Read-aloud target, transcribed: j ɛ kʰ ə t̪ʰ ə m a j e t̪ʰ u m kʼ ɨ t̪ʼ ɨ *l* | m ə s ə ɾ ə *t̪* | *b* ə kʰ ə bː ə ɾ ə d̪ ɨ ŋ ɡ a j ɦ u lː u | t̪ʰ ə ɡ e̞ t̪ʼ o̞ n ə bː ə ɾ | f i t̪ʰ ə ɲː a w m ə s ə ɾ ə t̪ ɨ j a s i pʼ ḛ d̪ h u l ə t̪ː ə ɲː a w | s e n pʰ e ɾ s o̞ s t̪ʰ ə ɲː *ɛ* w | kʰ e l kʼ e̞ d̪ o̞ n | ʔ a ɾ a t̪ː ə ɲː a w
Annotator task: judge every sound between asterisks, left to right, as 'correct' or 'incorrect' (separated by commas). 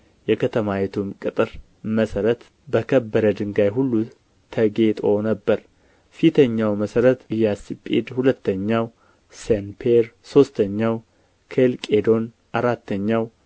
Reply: incorrect, correct, correct, incorrect